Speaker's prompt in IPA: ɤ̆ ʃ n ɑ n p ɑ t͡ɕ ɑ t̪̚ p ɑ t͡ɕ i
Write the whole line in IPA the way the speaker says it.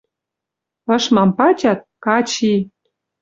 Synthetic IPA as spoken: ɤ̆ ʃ m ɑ m p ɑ t͡ɕ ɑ t̪̚ k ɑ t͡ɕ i